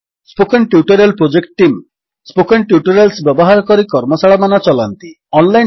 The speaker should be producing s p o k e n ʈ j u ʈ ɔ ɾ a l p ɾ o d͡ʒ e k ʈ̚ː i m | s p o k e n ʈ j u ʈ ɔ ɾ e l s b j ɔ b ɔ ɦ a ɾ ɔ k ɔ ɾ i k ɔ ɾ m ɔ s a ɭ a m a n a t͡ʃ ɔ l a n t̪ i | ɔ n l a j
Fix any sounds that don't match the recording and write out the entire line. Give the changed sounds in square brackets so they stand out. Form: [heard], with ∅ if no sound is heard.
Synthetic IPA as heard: s p o k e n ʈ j u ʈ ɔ ɾ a l p ɾ o d͡ʒ e k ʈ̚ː i m | s p o k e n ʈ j u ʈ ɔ ɾ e l s b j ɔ b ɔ ɦ a ɾ ɔ k ɔ ɾ i k ɔ ɾ m ɔ s a ɭ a m a n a t͡ʃ ɔ l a n t̪ i | ɔ n l a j

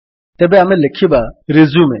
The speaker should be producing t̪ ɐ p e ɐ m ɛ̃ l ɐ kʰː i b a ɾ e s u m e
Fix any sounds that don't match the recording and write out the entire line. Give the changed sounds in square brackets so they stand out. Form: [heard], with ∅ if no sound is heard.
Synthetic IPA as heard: t̪ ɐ [b] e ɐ m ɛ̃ l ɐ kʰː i b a ɾ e [z] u m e

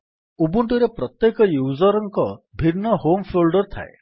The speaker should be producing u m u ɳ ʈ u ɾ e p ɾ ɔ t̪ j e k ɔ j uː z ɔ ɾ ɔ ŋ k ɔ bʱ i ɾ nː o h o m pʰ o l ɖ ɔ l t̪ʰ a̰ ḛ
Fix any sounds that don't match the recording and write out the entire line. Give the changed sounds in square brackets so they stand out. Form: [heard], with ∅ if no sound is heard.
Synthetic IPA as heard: u [b] u ɳ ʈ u ɾ e p ɾ ɔ t̪ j e k ɔ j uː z ɔ ɾ ɔ ŋ k ɔ bʱ i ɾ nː [ɔ] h o m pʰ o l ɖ ɔ [ɾ] t̪ʰ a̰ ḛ

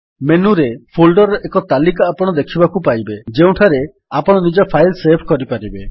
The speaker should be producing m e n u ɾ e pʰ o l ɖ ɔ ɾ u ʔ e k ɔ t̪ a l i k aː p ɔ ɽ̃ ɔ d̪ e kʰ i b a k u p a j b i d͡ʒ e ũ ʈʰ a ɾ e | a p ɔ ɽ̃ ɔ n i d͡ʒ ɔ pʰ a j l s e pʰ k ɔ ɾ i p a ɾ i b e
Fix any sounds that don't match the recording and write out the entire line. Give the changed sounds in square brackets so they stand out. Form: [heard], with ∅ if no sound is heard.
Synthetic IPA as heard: m e n u ɾ e pʰ o l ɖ ɔ ɾ [ɔ] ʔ e k ɔ t̪ a l i k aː p ɔ ɽ̃ ɔ d̪ e kʰ i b a k u p a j b [e] d͡ʒ e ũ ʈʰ a ɾ e | a p ɔ ɽ̃ ɔ n i d͡ʒ ɔ pʰ a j l s e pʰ k ɔ ɾ i p a ɾ i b e

